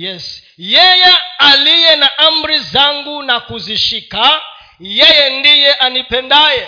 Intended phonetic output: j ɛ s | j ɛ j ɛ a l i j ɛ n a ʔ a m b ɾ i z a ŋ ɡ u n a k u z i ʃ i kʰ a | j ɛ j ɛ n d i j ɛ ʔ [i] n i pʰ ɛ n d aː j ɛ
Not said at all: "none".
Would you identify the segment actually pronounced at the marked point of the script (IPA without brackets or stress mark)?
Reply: a